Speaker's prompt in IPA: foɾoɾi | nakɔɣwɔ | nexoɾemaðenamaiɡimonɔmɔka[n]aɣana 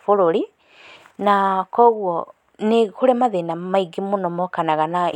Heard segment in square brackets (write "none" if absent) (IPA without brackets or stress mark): n